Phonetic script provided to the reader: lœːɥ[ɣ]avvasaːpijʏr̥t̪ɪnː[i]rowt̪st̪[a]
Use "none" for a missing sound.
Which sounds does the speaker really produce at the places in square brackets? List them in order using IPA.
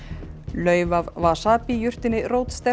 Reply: v, ɪ, ɛ

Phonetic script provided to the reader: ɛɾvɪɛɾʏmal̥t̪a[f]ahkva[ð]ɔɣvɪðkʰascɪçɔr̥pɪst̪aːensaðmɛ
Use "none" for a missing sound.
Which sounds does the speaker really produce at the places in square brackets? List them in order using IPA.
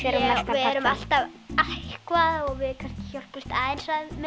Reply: v, ð

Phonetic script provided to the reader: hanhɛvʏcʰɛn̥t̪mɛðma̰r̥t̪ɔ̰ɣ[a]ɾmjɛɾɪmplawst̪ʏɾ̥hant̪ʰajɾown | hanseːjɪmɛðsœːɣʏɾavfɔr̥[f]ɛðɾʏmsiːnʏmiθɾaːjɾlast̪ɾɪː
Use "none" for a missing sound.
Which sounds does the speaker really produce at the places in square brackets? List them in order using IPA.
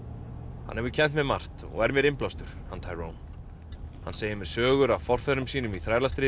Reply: ɛ, f

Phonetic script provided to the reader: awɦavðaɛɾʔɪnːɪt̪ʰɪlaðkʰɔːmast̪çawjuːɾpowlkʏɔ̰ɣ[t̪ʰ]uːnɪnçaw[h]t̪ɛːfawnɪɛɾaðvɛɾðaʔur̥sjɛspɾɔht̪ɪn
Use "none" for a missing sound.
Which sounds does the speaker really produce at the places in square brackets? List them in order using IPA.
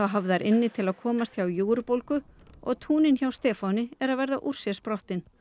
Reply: t̪ʰ, s

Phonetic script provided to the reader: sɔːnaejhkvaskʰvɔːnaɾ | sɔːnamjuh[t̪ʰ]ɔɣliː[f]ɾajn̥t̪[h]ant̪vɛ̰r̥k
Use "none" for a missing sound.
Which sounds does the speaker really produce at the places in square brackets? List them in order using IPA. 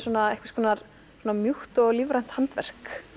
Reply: t̪, v, h

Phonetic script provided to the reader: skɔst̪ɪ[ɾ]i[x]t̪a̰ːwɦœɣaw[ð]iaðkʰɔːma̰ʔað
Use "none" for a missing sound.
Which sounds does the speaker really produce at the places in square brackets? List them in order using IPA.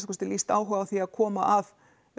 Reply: l, s, θ

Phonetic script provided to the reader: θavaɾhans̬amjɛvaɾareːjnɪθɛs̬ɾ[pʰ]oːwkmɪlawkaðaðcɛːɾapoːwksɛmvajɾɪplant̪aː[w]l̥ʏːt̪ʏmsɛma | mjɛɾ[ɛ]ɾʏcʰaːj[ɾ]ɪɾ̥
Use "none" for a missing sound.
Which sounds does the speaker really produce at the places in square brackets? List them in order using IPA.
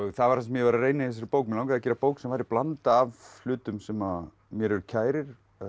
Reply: p, v, ɛ, ɾ

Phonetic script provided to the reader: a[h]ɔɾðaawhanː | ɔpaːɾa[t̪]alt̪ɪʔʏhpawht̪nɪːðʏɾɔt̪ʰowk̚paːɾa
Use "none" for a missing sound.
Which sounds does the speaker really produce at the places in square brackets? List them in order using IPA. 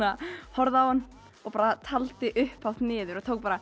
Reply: h, t̪ʰ

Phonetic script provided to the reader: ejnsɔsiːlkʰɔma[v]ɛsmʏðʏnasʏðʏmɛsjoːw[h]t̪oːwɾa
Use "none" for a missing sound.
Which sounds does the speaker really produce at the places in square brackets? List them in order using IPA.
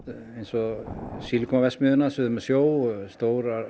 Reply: v, s

